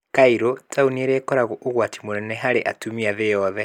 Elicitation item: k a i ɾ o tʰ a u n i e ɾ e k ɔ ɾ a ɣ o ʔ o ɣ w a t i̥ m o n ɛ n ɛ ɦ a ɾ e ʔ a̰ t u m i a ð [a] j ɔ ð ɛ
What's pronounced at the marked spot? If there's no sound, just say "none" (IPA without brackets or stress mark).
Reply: e